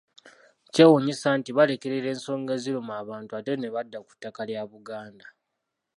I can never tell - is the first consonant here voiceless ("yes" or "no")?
yes